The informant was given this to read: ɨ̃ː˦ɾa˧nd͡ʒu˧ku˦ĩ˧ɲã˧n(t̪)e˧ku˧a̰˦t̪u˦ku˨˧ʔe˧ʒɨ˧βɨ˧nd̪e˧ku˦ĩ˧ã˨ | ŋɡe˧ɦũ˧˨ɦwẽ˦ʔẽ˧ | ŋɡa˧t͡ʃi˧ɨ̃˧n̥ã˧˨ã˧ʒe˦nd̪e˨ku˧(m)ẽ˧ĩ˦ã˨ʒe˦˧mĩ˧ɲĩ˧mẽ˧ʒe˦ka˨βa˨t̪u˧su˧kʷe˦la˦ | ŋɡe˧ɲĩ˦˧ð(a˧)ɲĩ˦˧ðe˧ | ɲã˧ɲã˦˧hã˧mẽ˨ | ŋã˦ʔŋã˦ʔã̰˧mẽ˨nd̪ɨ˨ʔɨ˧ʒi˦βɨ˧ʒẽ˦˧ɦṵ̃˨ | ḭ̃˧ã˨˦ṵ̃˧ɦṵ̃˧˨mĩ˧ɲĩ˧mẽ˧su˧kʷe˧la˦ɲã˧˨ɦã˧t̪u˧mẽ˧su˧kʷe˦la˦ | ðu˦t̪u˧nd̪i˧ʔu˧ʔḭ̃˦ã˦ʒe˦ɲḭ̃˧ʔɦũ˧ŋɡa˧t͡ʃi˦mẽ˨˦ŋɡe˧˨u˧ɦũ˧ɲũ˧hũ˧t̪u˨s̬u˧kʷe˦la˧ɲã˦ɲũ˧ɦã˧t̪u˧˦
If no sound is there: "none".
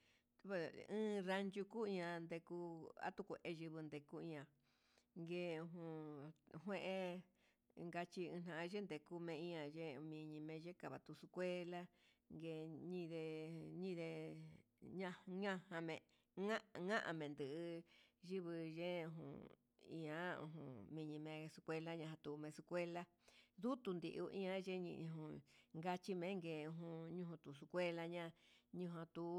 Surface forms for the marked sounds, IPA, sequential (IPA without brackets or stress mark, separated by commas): d̪, m, e˧